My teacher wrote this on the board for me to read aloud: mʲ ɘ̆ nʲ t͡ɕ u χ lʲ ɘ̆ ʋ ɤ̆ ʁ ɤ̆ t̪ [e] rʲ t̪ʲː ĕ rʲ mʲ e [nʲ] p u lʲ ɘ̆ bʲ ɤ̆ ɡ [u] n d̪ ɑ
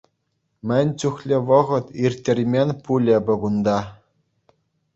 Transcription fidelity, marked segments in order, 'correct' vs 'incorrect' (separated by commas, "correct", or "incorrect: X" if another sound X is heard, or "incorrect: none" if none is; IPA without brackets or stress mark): incorrect: i, correct, correct